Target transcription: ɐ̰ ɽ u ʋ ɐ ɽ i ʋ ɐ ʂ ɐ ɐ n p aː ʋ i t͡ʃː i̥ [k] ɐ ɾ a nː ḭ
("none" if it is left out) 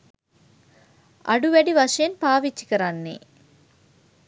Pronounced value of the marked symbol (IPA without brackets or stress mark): k